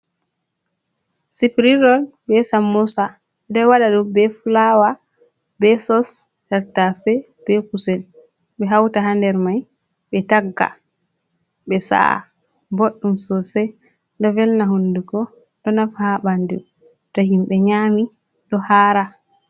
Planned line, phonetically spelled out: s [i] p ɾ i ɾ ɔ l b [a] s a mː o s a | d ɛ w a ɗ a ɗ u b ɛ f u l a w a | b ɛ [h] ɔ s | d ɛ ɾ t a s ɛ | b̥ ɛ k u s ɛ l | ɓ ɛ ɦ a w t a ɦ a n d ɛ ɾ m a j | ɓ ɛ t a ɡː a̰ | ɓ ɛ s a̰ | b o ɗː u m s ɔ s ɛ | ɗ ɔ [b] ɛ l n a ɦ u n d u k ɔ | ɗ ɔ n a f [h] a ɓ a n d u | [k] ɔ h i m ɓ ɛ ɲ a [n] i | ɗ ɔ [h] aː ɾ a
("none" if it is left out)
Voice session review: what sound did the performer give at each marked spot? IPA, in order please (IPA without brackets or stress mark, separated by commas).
i, ɛ, s, v, h, t, m, h